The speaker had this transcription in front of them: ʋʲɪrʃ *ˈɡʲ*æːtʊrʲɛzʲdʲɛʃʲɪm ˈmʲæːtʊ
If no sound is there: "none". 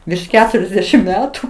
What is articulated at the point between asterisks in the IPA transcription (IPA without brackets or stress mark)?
kʲ